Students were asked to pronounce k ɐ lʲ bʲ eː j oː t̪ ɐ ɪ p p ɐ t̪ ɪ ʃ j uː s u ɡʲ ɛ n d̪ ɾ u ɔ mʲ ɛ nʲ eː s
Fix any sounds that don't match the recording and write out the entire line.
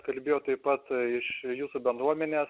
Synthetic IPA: k ɐ lʲ bʲ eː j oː t̪ ɐ ɪ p p ɐ t̪ ɪ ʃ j uː s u bʲ ɛ n d̪ ɾ u ɔ mʲ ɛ nʲ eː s

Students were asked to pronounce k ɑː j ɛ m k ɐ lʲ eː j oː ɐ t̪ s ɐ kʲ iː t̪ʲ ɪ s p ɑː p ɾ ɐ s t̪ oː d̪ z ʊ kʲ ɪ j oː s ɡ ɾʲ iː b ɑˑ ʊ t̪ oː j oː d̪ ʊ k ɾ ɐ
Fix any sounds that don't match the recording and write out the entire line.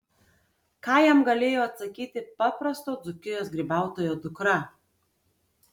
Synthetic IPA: k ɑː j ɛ m ɡ ɐ lʲ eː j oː ɐ t̪ s ɐ kʲ iː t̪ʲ ɪ p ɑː p ɾ ɐ s t̪ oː d̪ z ʊ kʲ ɪ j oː s ɡ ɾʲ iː b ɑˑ ʊ t̪ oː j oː d̪ ʊ k ɾ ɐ

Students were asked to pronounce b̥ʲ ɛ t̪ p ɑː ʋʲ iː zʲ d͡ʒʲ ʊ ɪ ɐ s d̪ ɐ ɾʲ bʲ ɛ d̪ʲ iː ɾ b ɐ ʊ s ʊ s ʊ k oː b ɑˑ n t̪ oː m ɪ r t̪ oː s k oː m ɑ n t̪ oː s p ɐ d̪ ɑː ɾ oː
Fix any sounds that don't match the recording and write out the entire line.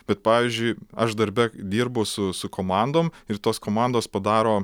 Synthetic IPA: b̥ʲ ɛ t̪ p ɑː ʋʲ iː zʲ d͡ʒʲ ʊ ɪ ɐ ʃ d̪ ɐ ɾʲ bʲ ɛ d̪ʲ iː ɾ b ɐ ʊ s ʊ s ʊ k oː m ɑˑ n d̪ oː m ɪ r t̪ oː s k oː m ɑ n d̪ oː s p ɐ d̪ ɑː ɾ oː

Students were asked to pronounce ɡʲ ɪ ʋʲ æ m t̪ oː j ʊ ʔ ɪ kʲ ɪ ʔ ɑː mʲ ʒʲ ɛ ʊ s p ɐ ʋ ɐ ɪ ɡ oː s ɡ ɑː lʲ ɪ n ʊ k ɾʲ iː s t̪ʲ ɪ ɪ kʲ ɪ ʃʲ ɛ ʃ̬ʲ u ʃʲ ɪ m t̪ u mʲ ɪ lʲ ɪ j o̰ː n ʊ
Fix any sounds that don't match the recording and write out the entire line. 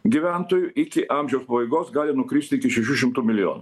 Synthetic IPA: ɡʲ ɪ ʋʲ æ n t̪ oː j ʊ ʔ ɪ kʲ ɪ ʔ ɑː mʲ ʒʲ ɛ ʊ s p ɐ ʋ ɐ ɪ ɡ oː s ɡ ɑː lʲ ɪ n ʊ k ɾʲ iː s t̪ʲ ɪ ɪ kʲ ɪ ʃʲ ɛ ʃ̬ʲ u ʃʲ ɪ m t̪ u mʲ ɪ lʲ ɪ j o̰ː n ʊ

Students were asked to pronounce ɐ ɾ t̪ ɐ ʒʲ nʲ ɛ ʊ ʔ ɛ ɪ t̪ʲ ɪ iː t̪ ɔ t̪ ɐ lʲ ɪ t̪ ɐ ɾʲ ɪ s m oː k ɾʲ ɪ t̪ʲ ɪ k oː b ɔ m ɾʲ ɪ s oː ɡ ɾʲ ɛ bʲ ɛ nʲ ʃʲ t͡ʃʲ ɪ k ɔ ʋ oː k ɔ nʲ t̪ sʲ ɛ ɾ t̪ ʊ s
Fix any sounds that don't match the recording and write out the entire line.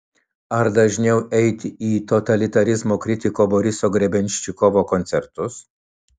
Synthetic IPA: ɐ ɾ d̪ ɐ ʒʲ nʲ ɛ ʊ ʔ ɛ ɪ t̪ʲ ɪ iː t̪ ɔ t̪ ɐ lʲ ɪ t̪ ɐ ɾʲ ɪ z m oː k ɾʲ ɪ t̪ʲ ɪ k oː b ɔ ɾʲ ɪ s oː ɡ ɾʲ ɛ bʲ ɛ nʲ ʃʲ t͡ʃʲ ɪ k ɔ ʋ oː k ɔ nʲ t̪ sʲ ɛ ɾ t̪ ʊ s

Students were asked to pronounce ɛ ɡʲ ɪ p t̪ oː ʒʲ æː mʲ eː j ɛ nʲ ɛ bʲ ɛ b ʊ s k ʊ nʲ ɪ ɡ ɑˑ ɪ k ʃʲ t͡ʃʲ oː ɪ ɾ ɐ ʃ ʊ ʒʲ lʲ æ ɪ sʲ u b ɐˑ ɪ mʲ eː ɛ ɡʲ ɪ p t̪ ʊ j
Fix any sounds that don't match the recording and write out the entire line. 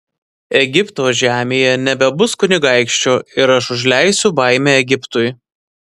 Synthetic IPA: ɛ ɡʲ ɪ p t̪ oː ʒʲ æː mʲ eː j ɛ nʲ ɛ bʲ ɛ b ʊ s k ʊ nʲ ɪ ɡ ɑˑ ɪ k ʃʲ t͡ʃʲ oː ɪ ɾ ɐ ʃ ʊ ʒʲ lʲ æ ɪ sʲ ʊ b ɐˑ ɪ mʲ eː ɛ ɡʲ ɪ p t̪ ʊ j

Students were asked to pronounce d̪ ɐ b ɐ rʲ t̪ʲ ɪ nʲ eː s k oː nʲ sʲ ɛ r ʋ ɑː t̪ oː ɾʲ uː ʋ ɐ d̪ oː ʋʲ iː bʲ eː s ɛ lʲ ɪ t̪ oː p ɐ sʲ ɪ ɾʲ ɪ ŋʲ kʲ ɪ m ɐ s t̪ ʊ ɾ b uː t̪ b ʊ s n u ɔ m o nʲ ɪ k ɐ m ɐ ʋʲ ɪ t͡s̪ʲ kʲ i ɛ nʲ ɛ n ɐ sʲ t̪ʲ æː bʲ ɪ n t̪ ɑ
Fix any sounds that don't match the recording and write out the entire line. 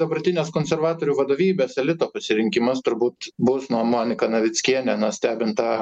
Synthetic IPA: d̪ ɐ b ɐ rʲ t̪ʲ ɪ nʲ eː s k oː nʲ sʲ ɛ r ʋ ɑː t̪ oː ɾʲ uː ʋ ɐ d̪ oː ʋʲ iː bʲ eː s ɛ lʲ ɪ t̪ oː p ɐ sʲ ɪ ɾʲ ɪ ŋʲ kʲ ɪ m ɐ s t̪ ʊ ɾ b uː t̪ b ʊ s n u ɔ m o nʲ ɪ k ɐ n ɐ ʋʲ ɪ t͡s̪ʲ kʲ i ɛ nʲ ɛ n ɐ sʲ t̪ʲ æː bʲ ɪ n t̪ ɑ

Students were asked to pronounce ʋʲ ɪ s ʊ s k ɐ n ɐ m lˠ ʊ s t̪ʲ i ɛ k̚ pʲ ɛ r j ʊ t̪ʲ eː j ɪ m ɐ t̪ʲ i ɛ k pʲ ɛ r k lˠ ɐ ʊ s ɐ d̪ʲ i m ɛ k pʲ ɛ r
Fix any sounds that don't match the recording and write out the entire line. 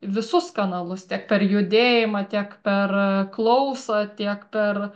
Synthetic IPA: ʋʲ ɪ s ʊ s k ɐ n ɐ lˠ ʊ s t̪ʲ i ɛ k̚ pʲ ɛ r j ʊ d̪ʲ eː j ɪ m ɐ t̪ʲ i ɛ k pʲ ɛ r k lˠ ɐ ʊ s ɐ t̪ʲ i ɛ k pʲ ɛ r

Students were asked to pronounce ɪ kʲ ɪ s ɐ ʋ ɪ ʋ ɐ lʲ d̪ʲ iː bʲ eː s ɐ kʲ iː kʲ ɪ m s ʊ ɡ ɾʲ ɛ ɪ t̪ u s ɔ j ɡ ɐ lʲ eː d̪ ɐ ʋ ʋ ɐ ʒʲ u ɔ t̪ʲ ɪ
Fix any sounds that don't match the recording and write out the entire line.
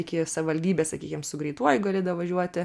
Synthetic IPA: ɪ kʲ ɪ s ɐ ʋ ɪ ʋ ɐ lʲ d̪ʲ iː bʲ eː s ɐ kʲ iː kʲ ɪ m s ʊ ɡ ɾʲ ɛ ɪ t̪ u ɔ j ɡ ɐ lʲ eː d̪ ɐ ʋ ʋ ɐ ʒʲ u ɔ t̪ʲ ɪ

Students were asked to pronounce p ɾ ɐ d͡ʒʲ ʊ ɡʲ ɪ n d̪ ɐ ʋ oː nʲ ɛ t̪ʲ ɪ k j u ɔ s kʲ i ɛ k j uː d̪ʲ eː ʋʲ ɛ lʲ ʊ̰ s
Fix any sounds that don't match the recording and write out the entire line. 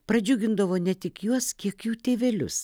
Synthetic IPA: p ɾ ɐ d͡ʒʲ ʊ ɡʲ ɪ n d̪ ɐ ʋ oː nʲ ɛ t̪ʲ ɪ k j u ɔ s kʲ i ɛ k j uː t̪ʲ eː ʋʲ ɛ lʲ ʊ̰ s

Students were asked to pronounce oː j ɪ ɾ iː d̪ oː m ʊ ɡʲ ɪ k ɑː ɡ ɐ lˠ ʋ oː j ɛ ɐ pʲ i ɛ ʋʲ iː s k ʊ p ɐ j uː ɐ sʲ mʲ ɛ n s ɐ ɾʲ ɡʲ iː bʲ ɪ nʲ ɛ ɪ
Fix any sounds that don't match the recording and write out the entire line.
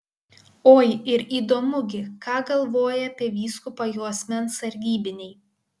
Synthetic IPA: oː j ɪ ɾ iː d̪ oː m ʊ ɡʲ ɪ k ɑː ɡ ɐ lˠ ʋ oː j ɛ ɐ pʲ i ɛ ʋʲ iː s k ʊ p ɐ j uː ɐ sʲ mʲ ɛ n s ɐ ɾʲ ɡʲ iː bʲ ɪ nʲ ɛ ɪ

